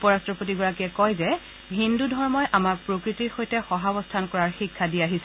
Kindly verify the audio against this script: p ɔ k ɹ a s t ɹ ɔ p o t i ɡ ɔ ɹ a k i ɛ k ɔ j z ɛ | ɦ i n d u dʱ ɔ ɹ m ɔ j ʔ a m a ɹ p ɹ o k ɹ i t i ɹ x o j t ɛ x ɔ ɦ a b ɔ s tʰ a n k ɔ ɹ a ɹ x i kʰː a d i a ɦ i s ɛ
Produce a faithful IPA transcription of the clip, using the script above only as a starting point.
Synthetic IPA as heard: p ɔ ɹ a s t ɹ ɔ p o t i ɡ ɔ ɹ a k i ɛ k ɔ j z ɛ | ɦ i n d u dʱ ɔ ɹ m ɔ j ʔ a m a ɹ p ɹ o k ɹ i t i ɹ x o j t ɛ x ɔ ɦ a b ɔ s tʰ a n k ɔ ɹ a ɹ x i kʰː a d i a ɦ i s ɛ

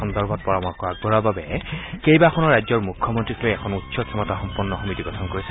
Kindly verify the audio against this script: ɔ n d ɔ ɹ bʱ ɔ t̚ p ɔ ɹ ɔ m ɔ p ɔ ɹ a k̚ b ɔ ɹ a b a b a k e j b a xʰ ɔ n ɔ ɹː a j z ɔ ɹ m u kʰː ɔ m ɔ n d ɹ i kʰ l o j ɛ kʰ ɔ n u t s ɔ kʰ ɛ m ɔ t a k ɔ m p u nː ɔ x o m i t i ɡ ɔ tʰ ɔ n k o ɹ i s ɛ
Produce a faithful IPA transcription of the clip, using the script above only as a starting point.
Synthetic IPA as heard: ɔ n d ɔ ɹ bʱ ɔ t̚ p ɔ ɹ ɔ m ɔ k ɔ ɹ a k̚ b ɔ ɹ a b a b ɛ k e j b a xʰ ɔ n ɔ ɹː a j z ɔ ɹ m u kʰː ɔ m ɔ n t ɹ i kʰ l o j ɛ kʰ ɔ n u t s ɔ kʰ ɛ m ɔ t a x ɔ m p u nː ɔ x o m i t i ɡ ɔ tʰ ɔ n k o ɹ i s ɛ

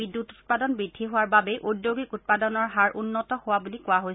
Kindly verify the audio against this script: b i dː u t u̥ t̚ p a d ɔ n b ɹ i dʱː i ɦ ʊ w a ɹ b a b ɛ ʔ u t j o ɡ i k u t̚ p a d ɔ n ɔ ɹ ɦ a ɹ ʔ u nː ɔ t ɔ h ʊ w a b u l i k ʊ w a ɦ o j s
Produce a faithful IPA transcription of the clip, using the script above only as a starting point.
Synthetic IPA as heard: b i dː u t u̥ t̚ p a d ɔ n b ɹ i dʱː i ɦ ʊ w a ɹ b a b ɛ ʔ u d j o ɡ i k u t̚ p a d ɔ n ɔ ɹ ɦ a ɹ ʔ u nː ɔ t ɔ h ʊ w a b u l i k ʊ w a ɦ o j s

